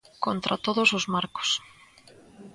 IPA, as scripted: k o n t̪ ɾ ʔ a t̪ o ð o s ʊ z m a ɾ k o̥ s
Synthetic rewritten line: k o n t̪ ɾ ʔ a t̪ o ð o s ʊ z m a ɾ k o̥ s

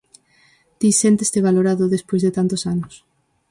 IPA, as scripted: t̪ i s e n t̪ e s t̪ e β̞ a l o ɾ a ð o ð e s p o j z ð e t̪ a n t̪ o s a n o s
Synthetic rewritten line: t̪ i s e n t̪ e s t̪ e β̞ a l o ɾ a ð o ð e s p o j z ð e t̪ a n t̪ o s a n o s

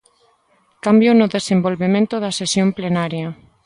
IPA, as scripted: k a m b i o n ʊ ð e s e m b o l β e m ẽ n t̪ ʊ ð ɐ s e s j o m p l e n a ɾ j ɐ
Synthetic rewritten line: k a m b j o n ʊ ð e s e m b o l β e m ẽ n t̪ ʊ ð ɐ s e s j o m p l e n a ɾ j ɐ

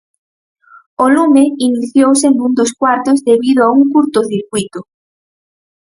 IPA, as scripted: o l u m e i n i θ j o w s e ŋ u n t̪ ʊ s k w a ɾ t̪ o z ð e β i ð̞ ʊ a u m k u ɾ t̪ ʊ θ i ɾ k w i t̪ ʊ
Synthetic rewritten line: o l u m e i n i θ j o w s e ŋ u n d̪ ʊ s k w a ɾ t̪ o z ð e β i ð̞ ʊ a u ŋ k u ɾ t̪ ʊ θ i ɾ k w i t̪ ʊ

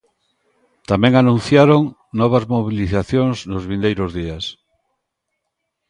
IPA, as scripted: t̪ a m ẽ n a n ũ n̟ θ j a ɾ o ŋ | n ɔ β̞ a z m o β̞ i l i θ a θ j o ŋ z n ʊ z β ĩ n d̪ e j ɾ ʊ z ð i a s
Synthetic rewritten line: t̪ a m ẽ ŋ a n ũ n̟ θ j a ɾ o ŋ | n ɔ β̞ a z m o β̞ i l i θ a θ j o ŋ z n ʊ z β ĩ n d̪ e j ɾ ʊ z ð i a s

